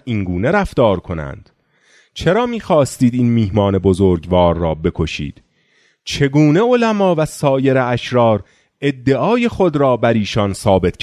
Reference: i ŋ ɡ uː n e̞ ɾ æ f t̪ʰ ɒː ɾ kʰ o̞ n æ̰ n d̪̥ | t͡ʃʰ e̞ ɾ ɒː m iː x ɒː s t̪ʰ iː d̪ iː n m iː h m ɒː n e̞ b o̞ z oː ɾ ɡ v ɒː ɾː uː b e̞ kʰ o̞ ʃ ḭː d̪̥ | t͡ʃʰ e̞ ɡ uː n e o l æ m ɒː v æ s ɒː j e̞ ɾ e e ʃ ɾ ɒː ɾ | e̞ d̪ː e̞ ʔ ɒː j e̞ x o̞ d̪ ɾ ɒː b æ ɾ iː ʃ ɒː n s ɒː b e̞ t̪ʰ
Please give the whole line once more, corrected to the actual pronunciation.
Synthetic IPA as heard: i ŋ ɡ uː n e̞ ɾ æ f t̪ ɒː ɾ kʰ o̞ n æ̰ n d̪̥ | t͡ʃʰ e̞ ɾ ɒː m iː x ɒː s t̪ iː d̪ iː n m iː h m ɒː n e̞ b o̞ z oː ɾ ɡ v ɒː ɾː ɒː b e̞ kʰ o̞ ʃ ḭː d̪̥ | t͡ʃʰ e̞ ɡ uː n e o l æ m ɒː v æ s ɒː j e̞ ɾ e æ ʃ ɾ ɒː ɾ | e̞ d̪ː e̞ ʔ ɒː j e̞ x o̞ d̪ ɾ ɒː b æ ɾ iː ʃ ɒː n s ɒː b e̞ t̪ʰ